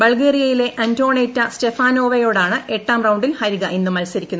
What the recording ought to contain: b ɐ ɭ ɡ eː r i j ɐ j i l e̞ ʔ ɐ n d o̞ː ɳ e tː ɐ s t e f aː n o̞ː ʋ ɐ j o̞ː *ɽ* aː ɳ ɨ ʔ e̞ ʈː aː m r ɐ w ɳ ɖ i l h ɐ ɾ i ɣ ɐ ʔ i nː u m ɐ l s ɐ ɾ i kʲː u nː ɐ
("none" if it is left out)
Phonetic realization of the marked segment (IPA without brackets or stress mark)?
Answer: ɽ